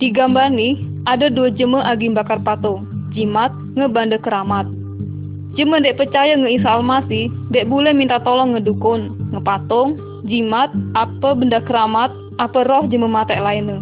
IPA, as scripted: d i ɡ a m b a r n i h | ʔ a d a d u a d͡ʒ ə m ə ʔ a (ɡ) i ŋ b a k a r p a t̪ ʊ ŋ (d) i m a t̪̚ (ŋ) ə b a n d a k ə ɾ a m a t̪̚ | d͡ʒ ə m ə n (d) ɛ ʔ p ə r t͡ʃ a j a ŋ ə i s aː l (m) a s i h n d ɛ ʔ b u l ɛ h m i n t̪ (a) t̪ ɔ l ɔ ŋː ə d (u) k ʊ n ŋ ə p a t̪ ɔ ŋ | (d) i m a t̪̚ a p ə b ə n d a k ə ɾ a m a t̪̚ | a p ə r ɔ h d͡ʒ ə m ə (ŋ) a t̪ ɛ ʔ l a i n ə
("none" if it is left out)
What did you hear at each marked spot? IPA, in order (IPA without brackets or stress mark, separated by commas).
ɡ, d͡ʒ, ŋ, d, m, a, u, d͡ʒ, m